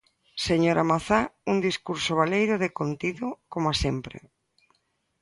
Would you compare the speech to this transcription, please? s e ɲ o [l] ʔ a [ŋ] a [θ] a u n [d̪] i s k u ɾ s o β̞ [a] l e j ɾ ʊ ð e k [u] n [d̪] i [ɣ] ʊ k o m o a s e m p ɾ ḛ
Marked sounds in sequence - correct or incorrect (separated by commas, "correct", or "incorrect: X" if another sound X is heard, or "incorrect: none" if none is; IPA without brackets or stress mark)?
incorrect: ɾ, incorrect: m, correct, correct, correct, incorrect: o, incorrect: t̪, incorrect: ð